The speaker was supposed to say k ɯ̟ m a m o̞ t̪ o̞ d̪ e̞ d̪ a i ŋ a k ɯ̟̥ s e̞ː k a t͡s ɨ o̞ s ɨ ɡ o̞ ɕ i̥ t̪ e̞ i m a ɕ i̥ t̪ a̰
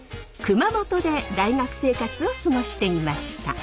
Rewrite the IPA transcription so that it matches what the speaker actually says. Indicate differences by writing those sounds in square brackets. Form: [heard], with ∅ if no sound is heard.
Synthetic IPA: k ɯ̟ m a m o̞ t̪ o̞ d̪ e̞ d̪ a i ŋ a k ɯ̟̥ s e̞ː k a t͡s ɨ o̞ s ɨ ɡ o̞ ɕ i̥ t̪ e̞ i m a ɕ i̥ t̪ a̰